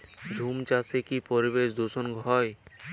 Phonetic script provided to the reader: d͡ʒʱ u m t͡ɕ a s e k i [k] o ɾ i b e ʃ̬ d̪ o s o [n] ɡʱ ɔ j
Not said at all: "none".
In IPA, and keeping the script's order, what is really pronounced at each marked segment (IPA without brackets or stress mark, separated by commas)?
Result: p, n